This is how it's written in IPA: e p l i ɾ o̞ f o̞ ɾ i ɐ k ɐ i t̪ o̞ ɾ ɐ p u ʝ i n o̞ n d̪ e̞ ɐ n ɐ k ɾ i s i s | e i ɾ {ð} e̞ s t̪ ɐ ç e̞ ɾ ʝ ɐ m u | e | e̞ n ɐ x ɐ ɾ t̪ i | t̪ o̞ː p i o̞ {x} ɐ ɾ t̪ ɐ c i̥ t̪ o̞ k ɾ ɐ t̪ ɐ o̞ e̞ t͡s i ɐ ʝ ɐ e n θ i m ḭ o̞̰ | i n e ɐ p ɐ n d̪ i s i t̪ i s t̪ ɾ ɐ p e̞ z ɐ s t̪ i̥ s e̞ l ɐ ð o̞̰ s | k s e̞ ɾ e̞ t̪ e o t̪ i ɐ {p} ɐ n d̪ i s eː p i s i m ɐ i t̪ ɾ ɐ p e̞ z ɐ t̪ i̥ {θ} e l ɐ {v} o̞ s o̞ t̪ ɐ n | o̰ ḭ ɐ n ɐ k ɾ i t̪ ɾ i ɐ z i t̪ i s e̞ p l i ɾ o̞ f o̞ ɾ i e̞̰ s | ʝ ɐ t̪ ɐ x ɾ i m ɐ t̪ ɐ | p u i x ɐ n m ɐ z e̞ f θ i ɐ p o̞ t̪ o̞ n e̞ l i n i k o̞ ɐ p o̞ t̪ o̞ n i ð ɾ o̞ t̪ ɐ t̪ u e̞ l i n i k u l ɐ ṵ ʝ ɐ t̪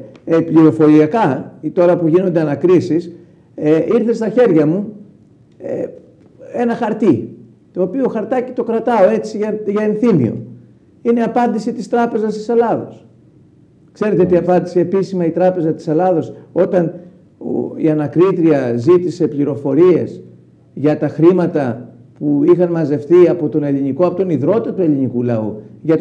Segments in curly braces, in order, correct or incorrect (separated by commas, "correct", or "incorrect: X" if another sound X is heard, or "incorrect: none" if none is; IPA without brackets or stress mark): incorrect: θ, correct, correct, incorrect: s, incorrect: ð